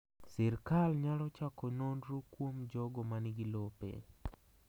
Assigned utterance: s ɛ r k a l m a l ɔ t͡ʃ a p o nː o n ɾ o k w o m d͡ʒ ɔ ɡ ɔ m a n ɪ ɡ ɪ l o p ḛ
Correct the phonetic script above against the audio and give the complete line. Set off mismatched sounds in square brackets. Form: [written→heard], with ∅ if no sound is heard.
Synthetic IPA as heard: s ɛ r k a l [m→ɲ] a l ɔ t͡ʃ a [p→k] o [nː→n] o n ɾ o k w o m d͡ʒ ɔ ɡ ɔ m a n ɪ ɡ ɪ l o p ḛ